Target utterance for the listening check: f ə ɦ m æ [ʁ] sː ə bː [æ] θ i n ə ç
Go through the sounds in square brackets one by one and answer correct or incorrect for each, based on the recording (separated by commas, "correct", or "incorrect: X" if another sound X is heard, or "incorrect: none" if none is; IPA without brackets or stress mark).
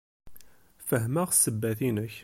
correct, correct